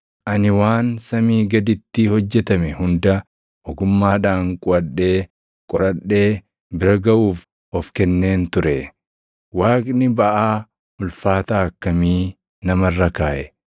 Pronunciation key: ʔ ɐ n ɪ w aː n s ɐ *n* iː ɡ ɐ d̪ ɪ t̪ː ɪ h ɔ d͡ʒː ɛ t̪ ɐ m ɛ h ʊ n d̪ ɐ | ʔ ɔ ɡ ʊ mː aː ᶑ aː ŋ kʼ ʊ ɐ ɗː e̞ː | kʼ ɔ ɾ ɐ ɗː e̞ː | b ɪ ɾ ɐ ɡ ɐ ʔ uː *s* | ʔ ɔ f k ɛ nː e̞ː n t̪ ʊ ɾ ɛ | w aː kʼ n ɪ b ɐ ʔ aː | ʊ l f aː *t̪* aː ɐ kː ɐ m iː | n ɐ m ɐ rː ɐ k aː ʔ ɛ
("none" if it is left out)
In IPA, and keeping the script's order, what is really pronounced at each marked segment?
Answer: m, f, t̪

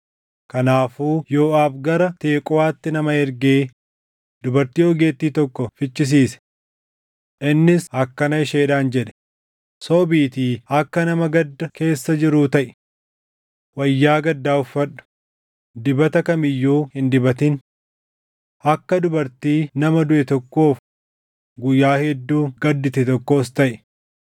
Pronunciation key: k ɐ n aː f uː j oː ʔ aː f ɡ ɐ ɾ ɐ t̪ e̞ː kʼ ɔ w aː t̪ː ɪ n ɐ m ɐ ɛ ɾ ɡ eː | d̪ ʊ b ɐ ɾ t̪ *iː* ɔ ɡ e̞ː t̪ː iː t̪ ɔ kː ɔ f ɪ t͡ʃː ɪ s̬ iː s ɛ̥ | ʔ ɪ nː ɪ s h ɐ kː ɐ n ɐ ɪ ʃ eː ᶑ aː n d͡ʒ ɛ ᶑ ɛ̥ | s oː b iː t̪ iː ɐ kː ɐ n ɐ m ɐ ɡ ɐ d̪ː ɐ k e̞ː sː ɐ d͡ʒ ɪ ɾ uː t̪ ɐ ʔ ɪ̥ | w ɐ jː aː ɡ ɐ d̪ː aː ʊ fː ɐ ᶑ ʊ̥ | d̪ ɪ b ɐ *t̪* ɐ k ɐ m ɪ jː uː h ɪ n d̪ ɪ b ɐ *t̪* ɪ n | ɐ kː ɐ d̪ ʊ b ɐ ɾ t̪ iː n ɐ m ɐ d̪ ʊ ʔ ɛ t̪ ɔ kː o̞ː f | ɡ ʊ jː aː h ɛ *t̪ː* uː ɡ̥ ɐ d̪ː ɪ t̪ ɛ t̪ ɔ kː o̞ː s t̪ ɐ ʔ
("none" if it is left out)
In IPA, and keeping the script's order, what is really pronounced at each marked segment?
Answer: iː, t̪, t̪, d̪ː

